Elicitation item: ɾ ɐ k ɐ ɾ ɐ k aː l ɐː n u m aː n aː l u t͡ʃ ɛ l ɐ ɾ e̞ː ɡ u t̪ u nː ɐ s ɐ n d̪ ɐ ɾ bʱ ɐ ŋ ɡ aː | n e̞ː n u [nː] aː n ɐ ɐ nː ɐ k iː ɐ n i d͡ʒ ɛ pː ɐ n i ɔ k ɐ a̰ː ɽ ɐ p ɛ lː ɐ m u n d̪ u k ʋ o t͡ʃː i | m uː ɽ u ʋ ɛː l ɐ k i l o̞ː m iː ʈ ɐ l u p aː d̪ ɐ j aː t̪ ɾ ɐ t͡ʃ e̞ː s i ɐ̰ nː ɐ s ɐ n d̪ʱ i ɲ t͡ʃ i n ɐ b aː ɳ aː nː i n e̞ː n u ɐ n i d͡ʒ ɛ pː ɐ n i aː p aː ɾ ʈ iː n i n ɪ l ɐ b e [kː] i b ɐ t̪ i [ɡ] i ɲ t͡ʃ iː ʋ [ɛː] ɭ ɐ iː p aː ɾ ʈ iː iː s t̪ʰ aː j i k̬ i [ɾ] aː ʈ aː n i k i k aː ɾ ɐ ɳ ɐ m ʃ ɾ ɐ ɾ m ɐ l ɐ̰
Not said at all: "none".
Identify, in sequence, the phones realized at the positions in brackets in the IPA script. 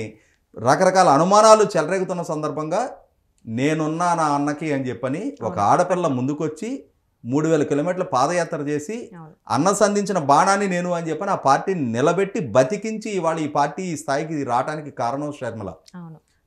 nː, ʈː, k, aː, ɾ

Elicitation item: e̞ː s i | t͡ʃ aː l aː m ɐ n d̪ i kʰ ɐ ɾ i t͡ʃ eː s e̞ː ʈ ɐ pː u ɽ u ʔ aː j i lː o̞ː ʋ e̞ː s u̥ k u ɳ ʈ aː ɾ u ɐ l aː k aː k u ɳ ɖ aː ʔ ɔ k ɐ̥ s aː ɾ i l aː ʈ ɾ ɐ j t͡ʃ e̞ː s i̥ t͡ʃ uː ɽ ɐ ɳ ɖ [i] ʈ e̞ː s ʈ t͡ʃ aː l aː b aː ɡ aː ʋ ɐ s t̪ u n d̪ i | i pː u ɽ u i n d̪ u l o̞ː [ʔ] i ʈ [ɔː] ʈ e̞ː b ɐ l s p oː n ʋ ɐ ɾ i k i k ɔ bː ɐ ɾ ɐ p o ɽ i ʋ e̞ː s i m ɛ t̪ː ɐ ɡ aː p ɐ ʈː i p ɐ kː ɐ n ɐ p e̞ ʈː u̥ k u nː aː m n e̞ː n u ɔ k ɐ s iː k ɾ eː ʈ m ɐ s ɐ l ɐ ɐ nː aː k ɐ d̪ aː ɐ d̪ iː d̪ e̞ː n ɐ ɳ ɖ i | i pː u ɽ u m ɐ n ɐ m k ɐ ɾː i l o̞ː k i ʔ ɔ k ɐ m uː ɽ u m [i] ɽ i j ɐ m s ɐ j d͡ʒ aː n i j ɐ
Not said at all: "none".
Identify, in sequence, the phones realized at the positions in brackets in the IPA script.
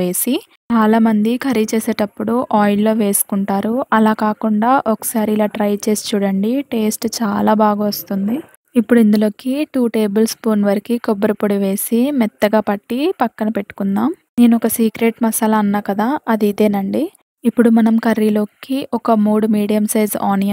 i, k, uː, iː

